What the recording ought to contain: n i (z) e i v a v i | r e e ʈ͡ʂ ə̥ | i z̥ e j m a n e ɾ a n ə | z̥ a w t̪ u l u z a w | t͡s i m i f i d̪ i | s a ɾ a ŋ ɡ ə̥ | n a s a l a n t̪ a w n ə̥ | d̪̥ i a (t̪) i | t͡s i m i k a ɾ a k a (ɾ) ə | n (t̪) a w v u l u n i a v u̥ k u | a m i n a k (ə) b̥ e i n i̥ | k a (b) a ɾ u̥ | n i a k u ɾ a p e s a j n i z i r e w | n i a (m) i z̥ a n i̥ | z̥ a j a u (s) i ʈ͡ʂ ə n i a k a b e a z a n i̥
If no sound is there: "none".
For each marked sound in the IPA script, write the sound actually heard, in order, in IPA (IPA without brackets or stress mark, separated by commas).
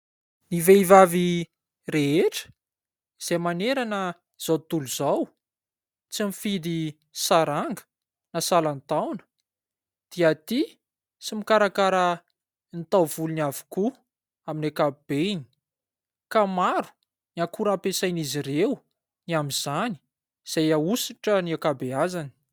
v, t̪, ɾ, t̪, a, m, m, s